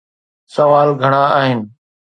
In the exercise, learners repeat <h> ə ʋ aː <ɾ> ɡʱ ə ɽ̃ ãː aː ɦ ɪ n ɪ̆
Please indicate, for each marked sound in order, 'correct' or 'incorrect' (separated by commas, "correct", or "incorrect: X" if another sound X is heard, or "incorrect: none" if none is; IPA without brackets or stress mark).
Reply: incorrect: s, incorrect: l